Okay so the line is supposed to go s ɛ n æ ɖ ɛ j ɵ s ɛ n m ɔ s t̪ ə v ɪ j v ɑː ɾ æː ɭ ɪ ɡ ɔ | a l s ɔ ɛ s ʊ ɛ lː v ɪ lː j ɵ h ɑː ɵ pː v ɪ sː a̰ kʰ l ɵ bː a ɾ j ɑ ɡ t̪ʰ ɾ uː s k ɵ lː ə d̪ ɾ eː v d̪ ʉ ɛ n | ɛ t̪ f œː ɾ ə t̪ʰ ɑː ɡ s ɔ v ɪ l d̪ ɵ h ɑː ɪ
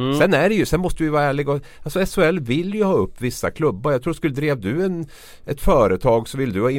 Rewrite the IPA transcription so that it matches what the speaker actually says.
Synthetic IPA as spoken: s ɛ n æ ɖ ɛ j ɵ s ɛ n m ɔ s t̪ ə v ɪ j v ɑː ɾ æː ɭ ɪ ɡ ɔ | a l s ɔ ɛ s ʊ ɛ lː v ɪ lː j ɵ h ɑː ɵ pː v ɪ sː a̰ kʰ l ɵ bː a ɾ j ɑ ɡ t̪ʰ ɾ uː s k ɵ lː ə d̪ ɾ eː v d̪ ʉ ɛ n | ɛ t̪ f œː ɾ ə t̪ʰ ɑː ɡ s ɔ v ɪ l d̪ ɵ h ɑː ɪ